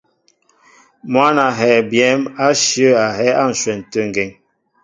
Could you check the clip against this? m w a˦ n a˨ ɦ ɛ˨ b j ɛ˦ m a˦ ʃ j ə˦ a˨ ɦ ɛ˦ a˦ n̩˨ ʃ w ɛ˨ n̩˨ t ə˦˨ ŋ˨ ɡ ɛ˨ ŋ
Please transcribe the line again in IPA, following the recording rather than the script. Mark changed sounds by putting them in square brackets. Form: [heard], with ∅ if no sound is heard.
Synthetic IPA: m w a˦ n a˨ ɦ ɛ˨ b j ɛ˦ m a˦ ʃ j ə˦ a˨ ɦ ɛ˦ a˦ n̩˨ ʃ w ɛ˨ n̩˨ t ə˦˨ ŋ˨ ɡ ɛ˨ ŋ